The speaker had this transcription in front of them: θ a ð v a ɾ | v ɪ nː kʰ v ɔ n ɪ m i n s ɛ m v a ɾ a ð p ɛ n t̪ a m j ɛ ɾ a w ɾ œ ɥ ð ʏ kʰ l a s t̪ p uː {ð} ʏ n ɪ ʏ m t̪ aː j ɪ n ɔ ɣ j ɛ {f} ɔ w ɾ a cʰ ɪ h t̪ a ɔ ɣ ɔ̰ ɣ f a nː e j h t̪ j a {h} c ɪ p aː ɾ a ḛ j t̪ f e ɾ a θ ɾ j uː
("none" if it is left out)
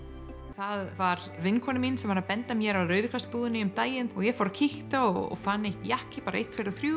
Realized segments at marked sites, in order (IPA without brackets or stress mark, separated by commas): ð, f, h